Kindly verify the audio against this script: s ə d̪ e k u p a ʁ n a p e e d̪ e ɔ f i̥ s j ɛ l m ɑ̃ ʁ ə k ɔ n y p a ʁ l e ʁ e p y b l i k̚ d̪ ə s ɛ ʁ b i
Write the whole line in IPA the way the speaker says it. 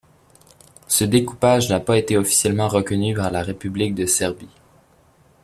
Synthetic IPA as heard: s ə d̪ e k u p a ʒ n a p a e t̪ e ɔ f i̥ s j ɛ l m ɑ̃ ʁ ə k ɔ n y p a ʁ l a ʁ e p y b l i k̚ d̪ ə s ɛ ʁ b i